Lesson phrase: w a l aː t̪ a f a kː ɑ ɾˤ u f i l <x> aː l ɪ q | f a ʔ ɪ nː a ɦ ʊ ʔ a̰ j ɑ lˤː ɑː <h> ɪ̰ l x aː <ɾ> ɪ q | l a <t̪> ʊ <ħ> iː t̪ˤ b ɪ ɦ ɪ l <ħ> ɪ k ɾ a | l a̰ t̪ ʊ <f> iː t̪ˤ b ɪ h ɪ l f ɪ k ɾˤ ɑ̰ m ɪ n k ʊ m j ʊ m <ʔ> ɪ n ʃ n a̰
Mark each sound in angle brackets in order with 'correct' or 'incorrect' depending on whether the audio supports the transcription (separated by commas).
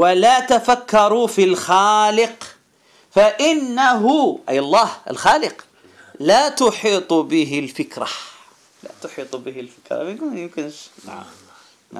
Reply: correct, correct, incorrect, correct, correct, incorrect, incorrect, incorrect